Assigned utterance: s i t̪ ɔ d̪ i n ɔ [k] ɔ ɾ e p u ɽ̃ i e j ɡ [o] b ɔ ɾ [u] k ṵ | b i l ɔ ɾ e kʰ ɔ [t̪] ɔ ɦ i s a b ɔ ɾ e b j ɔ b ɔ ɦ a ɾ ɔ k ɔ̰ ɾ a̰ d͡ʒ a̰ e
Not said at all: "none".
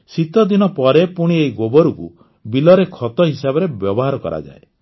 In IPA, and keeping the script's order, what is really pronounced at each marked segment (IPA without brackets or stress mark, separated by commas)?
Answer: p, o, u, t̪